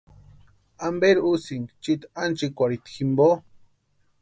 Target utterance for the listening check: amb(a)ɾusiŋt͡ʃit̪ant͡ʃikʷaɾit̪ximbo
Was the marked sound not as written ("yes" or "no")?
yes